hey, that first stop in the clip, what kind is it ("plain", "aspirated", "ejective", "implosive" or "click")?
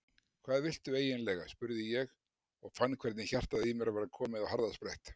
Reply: aspirated